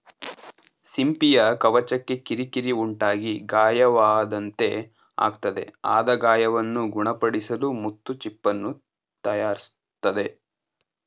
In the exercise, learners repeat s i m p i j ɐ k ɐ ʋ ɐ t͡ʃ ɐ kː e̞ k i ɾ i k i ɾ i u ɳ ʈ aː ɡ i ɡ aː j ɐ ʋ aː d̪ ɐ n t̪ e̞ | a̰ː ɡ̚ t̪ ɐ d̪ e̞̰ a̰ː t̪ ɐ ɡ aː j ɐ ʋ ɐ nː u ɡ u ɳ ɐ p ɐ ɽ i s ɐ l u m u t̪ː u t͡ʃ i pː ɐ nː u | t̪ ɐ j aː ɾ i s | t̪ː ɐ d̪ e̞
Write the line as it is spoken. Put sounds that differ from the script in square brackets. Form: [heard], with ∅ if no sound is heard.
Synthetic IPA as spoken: s i m p i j ɐ k ɐ ʋ ɐ t͡ʃ ɐ kː e̞ k i ɾ i k i ɾ i u ɳ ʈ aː ɡ i ɡ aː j ɐ ʋ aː d̪ ɐ n t̪ e̞ | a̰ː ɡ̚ t̪ ɐ d̪ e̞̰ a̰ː [d̪] ɐ ɡ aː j ɐ ʋ ɐ nː u ɡ u ɳ ɐ p ɐ ɽ i s ɐ l u m u t̪ː u t͡ʃ i pː ɐ nː u | t̪ ɐ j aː ɾ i s | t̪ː ɐ d̪ e̞